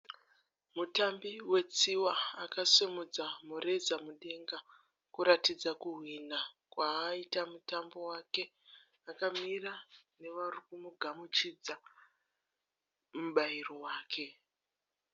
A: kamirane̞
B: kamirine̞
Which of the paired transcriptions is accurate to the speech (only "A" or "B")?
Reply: A